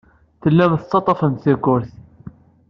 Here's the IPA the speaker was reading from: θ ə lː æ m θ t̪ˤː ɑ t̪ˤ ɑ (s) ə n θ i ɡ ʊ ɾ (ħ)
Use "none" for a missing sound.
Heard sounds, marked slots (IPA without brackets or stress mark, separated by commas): f, θ